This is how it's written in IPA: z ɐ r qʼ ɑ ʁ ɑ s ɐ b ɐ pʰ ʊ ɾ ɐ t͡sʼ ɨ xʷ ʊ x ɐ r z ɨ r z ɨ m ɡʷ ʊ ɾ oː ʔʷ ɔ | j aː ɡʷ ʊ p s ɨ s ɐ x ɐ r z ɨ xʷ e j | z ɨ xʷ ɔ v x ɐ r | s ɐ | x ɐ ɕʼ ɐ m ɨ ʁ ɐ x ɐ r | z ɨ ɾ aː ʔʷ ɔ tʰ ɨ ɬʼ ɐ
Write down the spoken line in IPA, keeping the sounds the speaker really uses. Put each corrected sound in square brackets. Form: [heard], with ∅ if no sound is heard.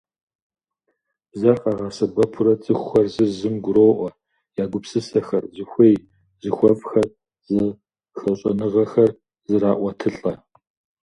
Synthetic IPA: z ɐ r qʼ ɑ ʁ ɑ s ɐ b ɐ pʰ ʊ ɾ ɐ t͡sʼ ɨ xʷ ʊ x ɐ r z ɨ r z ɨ m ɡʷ ʊ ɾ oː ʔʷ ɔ | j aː ɡʷ ʊ p s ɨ s ɐ x ɐ r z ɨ xʷ e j | z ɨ xʷ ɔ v x ɐ r | [z] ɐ | x ɐ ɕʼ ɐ [n] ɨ ʁ ɐ x ɐ r | z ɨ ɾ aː ʔʷ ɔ tʰ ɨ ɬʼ ɐ